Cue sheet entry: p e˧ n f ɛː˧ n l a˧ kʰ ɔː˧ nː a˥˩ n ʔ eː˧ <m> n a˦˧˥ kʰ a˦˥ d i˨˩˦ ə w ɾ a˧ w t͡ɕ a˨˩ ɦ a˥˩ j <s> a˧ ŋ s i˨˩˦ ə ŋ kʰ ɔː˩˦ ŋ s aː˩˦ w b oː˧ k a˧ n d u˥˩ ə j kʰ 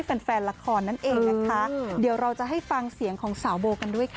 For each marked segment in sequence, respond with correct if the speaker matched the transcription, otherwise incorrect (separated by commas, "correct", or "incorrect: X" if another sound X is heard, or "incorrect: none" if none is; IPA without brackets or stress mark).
incorrect: ŋ, incorrect: f